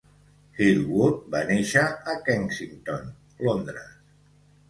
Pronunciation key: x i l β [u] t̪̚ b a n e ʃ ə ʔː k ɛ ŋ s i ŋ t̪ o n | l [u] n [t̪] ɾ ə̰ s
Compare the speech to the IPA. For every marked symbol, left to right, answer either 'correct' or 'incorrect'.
correct, incorrect: o, incorrect: d̪

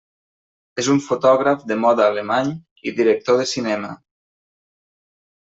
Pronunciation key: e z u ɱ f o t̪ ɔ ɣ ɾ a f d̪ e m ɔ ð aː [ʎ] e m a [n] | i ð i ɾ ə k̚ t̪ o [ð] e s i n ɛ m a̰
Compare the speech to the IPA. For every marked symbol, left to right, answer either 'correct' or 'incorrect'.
incorrect: l, incorrect: ɲ, correct

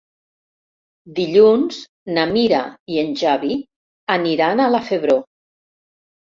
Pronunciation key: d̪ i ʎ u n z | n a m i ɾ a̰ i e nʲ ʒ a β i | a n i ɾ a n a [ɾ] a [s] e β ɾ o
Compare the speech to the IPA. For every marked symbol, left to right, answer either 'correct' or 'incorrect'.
incorrect: l, incorrect: f

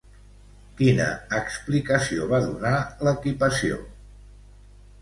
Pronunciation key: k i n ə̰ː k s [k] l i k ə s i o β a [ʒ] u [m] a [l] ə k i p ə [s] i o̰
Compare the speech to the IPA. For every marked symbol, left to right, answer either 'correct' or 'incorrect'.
incorrect: p, incorrect: ð, incorrect: n, correct, correct

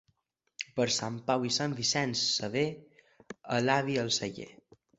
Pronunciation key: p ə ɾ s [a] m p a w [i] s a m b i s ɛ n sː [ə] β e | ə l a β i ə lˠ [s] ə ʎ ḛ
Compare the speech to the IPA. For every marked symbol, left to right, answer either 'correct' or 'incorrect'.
correct, correct, correct, correct

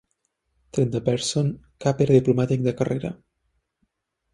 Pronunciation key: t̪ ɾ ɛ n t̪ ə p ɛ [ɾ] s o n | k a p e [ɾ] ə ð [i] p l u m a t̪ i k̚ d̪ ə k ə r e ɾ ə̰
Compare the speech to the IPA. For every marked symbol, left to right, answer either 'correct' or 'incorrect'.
correct, correct, correct

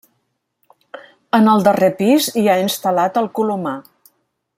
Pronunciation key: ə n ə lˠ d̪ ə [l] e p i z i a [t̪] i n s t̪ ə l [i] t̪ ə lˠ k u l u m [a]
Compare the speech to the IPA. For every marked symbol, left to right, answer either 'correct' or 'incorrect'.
incorrect: r, incorrect: none, incorrect: a, correct

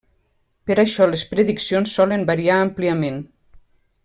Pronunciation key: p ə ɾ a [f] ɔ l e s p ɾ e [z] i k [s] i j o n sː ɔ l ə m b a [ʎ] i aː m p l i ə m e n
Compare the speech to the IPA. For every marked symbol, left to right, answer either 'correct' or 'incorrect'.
incorrect: ʃ, incorrect: ð, correct, incorrect: ɾ

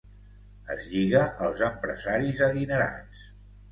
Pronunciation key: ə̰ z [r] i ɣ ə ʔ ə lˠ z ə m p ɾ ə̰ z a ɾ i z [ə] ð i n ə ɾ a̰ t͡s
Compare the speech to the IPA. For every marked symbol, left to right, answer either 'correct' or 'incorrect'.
incorrect: ʎ, correct

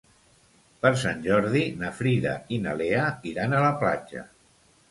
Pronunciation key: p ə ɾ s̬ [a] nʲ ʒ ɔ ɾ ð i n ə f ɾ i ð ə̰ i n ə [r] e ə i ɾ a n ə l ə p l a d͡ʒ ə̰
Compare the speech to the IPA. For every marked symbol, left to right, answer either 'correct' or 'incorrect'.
correct, incorrect: l

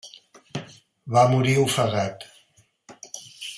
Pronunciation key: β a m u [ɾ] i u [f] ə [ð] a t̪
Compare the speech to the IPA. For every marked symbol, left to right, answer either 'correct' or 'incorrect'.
correct, correct, incorrect: ɣ

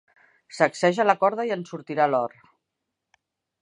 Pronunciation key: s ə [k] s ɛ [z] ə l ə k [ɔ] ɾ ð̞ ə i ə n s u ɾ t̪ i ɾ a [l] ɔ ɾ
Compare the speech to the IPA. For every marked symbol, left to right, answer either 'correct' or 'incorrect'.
correct, incorrect: ʒ, correct, correct

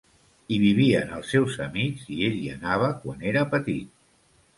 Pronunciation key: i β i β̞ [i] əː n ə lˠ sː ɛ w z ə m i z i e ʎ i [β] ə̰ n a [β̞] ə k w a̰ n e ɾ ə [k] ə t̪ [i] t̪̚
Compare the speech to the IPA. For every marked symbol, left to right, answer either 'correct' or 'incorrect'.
correct, incorrect: none, correct, incorrect: p, correct

